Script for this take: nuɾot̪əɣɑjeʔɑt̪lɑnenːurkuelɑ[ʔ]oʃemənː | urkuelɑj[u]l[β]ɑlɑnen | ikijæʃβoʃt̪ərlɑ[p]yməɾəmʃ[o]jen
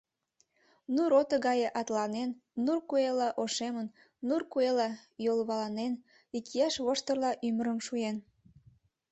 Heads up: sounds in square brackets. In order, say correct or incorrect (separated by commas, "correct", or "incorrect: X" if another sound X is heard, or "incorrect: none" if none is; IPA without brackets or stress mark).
correct, incorrect: o, correct, incorrect: ʔ, incorrect: u